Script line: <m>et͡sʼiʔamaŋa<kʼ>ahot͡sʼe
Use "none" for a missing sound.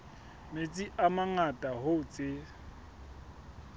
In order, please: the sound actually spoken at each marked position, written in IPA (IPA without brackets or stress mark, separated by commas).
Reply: m, tʼ